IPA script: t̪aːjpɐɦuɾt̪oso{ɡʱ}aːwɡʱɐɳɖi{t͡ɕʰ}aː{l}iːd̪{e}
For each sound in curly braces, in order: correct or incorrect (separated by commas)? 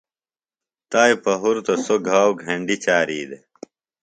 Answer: correct, incorrect, incorrect, correct